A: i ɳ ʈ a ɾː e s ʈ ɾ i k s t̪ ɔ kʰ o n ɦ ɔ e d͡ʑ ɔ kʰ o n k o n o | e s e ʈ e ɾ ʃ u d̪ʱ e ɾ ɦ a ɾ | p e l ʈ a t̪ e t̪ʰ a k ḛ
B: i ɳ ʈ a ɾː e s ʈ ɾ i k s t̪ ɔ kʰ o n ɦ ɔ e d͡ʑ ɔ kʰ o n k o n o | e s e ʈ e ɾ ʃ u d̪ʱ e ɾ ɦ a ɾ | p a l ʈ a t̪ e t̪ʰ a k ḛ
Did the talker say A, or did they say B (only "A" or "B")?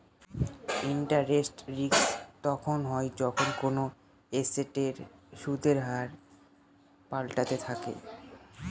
B